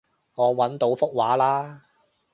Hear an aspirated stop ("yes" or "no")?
no